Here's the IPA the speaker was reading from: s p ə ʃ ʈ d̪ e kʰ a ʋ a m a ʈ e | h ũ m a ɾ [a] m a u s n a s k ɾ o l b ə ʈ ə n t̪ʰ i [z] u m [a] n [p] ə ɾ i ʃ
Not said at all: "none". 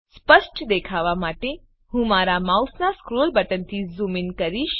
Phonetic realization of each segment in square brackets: a, z, i, k

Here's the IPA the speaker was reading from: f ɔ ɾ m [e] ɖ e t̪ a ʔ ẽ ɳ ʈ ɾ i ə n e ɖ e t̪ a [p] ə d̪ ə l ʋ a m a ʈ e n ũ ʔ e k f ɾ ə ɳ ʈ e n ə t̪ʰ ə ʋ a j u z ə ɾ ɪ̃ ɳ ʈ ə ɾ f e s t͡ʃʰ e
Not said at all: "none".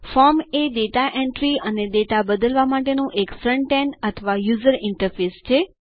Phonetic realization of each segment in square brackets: e, b

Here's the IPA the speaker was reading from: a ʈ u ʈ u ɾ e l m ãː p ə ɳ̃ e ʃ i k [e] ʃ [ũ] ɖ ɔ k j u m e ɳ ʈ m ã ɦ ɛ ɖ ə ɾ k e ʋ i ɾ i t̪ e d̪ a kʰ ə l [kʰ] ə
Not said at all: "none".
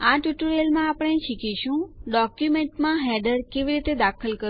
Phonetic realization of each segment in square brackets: i, ũ, k

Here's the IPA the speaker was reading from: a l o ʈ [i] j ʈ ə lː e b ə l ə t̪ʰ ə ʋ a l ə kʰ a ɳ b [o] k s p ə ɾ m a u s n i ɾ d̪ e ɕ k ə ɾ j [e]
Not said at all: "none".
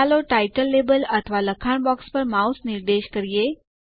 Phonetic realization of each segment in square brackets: a, ɔ, e

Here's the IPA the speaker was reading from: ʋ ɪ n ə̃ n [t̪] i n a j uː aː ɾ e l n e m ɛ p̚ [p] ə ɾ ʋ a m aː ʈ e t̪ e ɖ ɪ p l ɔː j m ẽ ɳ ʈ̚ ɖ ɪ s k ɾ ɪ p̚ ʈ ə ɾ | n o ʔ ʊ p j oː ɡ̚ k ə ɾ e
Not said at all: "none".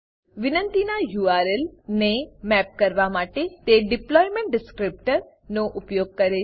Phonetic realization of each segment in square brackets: t̪, k

